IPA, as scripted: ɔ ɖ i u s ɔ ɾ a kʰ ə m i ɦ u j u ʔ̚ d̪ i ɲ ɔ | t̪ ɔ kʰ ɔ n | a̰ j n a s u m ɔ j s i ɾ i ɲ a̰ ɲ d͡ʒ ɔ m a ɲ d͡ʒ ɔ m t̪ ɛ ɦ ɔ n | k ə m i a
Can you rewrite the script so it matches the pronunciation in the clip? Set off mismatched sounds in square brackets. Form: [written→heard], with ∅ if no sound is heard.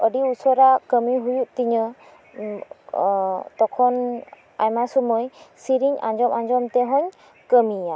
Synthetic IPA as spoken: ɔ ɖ i u s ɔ ɾ a [kʰ→k] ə m i ɦ u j u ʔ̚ [d̪→t̪] i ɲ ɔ | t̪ ɔ kʰ ɔ n | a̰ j [n→m] a s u m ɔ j s i ɾ i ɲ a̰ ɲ d͡ʒ ɔ m a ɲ d͡ʒ ɔ m t̪ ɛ ɦ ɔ [n→ɲ] | k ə m i a